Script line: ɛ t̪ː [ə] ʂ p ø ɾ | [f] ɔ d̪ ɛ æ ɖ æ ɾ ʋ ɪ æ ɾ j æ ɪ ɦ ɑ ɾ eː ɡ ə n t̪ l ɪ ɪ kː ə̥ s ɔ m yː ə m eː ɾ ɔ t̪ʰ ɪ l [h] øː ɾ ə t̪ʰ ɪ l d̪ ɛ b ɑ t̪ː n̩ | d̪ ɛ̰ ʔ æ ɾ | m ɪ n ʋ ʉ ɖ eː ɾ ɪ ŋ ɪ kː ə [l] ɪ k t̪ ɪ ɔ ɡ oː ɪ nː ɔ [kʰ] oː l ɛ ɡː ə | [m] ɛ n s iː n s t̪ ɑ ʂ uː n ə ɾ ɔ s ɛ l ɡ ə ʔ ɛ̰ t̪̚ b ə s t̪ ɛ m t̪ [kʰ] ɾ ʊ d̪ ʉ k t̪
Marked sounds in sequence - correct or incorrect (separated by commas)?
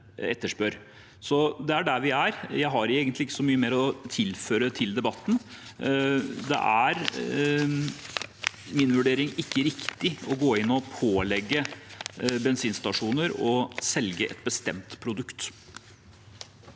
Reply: correct, incorrect, incorrect, incorrect, incorrect, incorrect, incorrect